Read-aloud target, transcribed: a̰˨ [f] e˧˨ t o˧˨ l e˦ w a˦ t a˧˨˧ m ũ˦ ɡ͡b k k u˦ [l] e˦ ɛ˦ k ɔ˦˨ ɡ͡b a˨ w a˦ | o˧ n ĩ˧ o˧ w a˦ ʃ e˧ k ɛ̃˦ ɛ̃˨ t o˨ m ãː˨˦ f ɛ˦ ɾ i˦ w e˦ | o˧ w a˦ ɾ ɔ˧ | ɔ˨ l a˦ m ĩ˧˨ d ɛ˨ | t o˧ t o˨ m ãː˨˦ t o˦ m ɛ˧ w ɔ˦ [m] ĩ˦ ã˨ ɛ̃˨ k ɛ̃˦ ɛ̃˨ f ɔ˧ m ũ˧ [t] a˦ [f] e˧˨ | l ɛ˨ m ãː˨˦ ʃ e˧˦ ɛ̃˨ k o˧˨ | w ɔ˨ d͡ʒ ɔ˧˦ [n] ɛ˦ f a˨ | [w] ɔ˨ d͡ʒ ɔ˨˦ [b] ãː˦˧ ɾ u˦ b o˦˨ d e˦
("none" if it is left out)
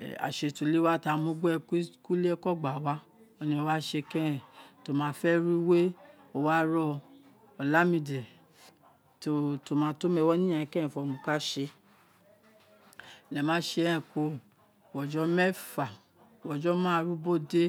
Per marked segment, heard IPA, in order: ʃ, l, n, k, ʃ, m, w, m

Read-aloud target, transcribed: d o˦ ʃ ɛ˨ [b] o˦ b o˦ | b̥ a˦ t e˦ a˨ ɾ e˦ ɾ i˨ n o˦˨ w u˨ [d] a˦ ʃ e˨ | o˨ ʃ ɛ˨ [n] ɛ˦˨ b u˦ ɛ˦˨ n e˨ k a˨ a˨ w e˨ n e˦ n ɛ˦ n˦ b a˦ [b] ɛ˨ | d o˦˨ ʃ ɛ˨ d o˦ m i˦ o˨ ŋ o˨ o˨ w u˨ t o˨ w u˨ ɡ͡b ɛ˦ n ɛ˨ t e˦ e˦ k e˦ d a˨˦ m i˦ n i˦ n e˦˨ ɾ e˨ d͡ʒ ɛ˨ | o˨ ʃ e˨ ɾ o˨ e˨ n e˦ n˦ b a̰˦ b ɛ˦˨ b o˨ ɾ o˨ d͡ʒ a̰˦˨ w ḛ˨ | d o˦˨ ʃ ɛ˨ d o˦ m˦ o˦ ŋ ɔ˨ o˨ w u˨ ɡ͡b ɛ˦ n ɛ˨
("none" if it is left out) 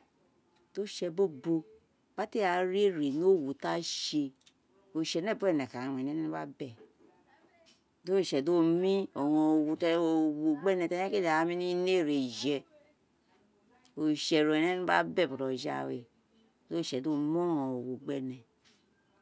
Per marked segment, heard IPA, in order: b, t, n, b

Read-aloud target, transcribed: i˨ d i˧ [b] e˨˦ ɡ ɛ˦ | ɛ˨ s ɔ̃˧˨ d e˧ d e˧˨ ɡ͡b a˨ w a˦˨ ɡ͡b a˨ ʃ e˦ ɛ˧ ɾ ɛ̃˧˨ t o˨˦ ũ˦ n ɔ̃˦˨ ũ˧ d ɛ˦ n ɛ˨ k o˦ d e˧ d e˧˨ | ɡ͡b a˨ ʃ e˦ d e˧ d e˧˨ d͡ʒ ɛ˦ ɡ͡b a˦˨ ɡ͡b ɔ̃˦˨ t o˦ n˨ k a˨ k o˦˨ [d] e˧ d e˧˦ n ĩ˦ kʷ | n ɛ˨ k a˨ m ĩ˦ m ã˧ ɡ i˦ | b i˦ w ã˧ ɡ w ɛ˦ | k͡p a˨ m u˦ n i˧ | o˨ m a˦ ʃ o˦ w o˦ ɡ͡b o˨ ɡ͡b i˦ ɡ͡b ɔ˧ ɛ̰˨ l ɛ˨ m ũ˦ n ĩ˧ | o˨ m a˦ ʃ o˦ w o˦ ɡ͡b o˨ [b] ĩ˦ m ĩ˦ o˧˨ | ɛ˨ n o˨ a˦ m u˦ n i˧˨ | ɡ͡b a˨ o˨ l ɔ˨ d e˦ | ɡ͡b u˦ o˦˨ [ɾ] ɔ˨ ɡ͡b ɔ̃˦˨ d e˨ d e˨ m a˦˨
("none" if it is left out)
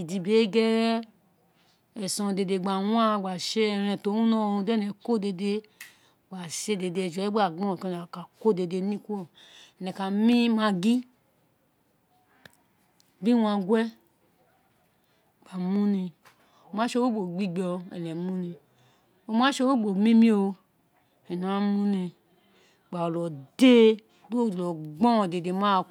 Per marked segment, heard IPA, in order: b, d, m, l

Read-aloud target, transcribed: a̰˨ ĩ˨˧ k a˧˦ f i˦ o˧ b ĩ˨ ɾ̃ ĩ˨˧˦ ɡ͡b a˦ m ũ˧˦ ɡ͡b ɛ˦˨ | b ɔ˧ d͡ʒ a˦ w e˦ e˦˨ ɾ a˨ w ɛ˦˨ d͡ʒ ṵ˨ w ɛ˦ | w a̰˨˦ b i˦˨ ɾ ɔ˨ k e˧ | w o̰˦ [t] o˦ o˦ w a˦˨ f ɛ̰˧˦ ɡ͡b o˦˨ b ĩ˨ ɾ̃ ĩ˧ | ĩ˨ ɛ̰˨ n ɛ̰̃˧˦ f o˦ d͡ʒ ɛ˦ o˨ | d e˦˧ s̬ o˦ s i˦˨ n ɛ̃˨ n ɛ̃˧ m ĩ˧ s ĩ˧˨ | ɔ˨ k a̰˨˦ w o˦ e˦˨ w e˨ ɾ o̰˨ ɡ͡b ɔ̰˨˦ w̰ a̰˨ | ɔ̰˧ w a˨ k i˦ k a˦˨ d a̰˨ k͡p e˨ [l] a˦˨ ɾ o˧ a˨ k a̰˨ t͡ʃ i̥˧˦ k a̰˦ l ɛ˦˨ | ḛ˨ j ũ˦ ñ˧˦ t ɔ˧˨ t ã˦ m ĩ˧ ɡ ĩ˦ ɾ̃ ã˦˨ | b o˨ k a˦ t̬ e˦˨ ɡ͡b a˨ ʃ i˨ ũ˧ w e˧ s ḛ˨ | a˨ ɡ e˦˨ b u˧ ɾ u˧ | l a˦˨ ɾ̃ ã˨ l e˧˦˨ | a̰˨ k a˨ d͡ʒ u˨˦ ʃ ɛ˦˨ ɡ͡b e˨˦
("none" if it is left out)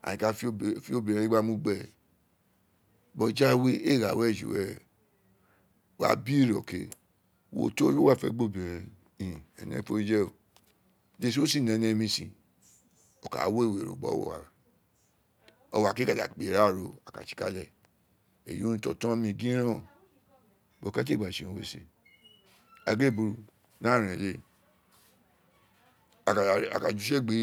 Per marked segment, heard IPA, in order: t, ɾ

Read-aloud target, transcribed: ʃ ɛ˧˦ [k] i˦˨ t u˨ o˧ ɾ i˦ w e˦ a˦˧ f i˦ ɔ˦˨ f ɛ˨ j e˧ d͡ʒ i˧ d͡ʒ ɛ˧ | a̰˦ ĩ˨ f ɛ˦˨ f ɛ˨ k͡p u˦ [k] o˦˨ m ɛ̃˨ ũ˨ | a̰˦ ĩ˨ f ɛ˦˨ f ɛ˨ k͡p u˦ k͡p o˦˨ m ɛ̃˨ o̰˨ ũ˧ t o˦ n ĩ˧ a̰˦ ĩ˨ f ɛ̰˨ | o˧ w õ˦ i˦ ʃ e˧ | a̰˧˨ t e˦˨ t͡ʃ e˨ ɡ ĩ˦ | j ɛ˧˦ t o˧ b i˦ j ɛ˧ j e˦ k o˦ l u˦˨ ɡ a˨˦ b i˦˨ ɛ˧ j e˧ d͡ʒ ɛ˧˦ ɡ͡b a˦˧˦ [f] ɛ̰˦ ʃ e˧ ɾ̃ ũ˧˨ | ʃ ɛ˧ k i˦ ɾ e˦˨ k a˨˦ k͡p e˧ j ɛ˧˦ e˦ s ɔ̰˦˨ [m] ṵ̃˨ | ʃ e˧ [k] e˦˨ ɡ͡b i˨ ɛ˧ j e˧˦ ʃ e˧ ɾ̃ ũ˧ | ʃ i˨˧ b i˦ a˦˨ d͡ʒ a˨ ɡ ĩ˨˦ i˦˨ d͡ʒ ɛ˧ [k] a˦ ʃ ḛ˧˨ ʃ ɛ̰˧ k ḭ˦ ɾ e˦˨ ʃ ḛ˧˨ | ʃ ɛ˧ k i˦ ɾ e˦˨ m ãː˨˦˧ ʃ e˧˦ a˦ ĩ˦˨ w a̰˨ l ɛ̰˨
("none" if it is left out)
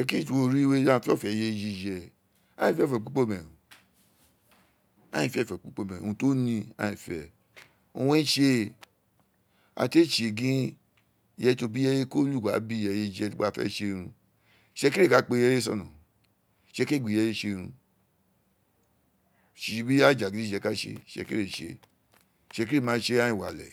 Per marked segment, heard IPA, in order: k, k͡p, f, n, k, k

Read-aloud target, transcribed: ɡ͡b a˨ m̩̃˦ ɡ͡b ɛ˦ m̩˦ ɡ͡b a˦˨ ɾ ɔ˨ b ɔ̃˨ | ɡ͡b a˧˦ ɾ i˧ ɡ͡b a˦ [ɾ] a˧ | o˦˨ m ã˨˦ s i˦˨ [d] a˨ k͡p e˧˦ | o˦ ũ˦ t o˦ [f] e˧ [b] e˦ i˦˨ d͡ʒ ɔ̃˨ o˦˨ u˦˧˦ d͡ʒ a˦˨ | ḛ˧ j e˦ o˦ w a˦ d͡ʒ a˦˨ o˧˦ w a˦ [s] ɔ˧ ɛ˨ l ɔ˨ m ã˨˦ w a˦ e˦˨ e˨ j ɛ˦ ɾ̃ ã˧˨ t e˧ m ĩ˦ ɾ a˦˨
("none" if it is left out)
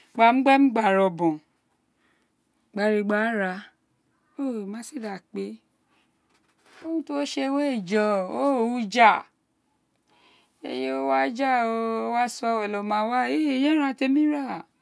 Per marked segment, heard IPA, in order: ɾ, d, ʃ, w, s

